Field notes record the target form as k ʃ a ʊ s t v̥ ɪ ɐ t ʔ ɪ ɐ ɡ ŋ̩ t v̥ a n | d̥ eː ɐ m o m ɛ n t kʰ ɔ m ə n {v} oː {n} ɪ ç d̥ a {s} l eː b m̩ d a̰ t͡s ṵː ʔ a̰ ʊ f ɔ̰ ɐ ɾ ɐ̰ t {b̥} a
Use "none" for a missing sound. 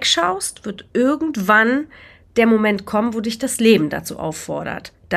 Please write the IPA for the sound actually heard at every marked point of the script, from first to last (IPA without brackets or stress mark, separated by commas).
v, d, s, d̥